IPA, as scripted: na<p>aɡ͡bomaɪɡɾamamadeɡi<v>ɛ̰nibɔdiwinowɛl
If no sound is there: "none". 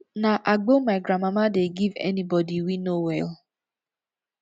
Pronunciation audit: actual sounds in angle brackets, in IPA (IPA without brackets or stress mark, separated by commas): ʔ, v